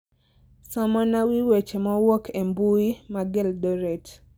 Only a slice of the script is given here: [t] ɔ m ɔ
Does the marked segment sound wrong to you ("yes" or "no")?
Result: yes